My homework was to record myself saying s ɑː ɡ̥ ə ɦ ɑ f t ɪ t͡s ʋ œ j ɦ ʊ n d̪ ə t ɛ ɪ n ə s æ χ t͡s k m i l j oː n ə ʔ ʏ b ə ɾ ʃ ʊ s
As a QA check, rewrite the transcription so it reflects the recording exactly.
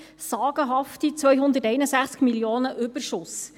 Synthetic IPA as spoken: s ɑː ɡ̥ ə ɦ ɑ f t i t͡s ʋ œ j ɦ ʊ n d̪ ə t ɛ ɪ n ə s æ χ t͡s k m i l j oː n ə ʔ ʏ b ə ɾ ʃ ʊ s